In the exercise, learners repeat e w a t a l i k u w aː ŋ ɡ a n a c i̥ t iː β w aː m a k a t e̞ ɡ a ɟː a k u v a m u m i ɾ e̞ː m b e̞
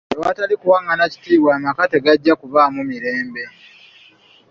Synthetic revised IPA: e w a t a l i k u w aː ŋ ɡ a n a c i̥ t iː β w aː m a k a t e̞ ɡ a ɟː a k u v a m u m i ɾ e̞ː m b e̞